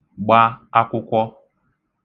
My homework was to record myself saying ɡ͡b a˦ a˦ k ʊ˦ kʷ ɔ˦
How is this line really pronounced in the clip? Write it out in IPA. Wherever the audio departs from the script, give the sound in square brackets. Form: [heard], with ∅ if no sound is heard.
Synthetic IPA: ɡ͡b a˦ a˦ k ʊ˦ kʷ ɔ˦